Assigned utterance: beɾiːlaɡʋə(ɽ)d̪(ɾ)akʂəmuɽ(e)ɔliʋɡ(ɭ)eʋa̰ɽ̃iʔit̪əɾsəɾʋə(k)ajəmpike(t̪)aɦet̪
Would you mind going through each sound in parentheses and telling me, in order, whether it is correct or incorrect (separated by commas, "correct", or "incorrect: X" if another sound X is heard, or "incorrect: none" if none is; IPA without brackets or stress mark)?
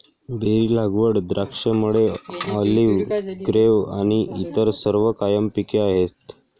correct, correct, correct, incorrect: ɾ, correct, incorrect: none